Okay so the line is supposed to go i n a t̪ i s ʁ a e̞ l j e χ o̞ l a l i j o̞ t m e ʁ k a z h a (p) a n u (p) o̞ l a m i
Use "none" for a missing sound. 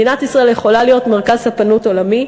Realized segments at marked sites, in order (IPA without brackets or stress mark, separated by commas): p, t